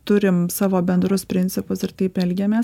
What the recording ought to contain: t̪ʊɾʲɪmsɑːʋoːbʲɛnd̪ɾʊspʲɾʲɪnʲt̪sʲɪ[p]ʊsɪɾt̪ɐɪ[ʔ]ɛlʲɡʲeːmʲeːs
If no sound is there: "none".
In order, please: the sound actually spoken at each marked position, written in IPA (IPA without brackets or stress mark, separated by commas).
p, p